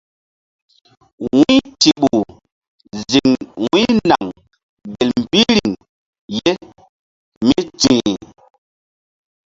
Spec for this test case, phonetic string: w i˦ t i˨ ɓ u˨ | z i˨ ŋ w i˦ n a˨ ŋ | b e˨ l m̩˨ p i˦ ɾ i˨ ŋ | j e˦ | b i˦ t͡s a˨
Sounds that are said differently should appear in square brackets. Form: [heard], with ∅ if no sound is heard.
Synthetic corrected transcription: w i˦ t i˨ ɓ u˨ | z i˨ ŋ w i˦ n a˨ ŋ | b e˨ l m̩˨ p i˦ ɾ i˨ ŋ | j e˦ | [m] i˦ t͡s [i˨]